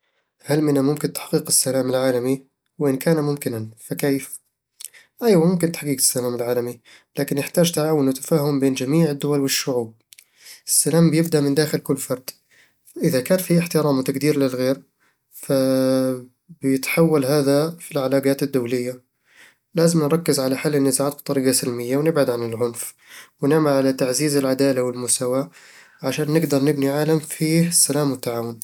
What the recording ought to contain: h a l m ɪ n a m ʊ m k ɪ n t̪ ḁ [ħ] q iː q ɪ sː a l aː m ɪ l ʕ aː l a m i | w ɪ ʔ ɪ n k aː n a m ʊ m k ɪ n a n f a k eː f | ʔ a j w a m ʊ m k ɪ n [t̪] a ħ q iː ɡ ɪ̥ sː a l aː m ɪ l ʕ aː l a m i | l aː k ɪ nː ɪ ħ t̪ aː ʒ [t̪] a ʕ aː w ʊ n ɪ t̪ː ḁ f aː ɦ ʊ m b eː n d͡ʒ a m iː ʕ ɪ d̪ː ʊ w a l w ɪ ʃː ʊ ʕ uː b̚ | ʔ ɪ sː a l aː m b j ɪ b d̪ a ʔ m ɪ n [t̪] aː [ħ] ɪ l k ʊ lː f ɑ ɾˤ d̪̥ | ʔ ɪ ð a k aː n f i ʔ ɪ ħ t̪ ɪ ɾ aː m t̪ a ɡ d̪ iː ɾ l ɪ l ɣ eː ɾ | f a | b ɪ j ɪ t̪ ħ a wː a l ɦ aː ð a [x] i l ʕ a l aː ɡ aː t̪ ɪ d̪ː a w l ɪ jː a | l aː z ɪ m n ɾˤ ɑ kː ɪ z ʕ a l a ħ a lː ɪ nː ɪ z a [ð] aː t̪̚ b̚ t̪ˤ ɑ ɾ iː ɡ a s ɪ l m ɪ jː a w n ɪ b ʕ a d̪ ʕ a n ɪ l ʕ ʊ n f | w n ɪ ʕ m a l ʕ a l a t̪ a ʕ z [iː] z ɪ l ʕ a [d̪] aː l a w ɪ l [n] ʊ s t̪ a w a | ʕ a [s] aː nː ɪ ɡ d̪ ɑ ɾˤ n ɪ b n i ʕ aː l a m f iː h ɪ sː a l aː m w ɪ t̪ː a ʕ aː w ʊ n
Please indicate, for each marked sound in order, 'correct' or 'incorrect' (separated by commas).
correct, correct, correct, incorrect, incorrect, incorrect, incorrect, correct, correct, incorrect, incorrect